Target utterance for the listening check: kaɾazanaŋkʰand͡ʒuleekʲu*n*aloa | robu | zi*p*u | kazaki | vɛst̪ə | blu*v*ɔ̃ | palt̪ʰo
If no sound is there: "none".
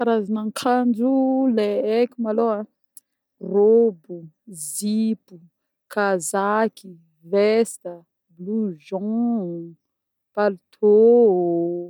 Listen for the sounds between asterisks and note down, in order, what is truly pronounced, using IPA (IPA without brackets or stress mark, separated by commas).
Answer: m, p, ʒ